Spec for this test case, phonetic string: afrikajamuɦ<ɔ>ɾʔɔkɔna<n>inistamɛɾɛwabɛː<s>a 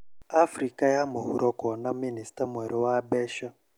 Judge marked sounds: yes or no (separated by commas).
no, no, no